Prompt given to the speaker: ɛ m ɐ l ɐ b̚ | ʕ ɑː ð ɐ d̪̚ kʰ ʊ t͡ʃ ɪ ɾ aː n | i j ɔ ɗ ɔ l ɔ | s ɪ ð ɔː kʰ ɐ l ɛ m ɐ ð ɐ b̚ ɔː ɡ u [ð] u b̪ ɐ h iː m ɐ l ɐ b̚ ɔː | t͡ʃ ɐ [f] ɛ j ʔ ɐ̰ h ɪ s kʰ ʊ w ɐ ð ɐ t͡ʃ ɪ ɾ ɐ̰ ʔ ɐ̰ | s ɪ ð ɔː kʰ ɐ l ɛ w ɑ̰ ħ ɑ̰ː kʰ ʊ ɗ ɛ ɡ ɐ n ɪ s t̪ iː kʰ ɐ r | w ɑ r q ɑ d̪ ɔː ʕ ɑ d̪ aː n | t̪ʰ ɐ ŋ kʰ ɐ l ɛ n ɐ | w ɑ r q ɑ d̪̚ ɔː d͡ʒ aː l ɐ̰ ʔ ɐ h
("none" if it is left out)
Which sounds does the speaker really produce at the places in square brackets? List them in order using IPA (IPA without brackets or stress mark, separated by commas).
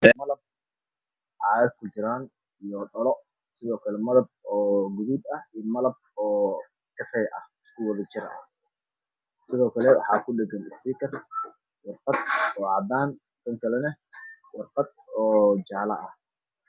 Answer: ð, f